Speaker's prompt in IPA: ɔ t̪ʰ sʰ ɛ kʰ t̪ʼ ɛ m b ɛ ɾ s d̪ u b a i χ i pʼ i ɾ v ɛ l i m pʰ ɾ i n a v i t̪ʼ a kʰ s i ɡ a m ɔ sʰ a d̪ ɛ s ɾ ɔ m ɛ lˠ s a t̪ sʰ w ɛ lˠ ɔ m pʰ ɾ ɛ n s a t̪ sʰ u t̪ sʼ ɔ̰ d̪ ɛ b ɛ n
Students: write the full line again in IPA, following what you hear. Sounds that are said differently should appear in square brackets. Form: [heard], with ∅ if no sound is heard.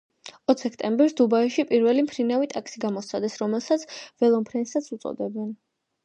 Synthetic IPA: ɔ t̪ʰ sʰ ɛ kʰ t̪ʼ ɛ m b ɛ ɾ s d̪ u b a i [ʃ] i pʼ i ɾ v ɛ l i m pʰ ɾ i n a v i t̪ʼ a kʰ s i ɡ a m ɔ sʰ a d̪ ɛ s ɾ ɔ m ɛ lˠ s a t̪ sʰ [v] ɛ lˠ ɔ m pʰ ɾ ɛ n s a t̪ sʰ u t̪ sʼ ɔ̰ d̪ ɛ b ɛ n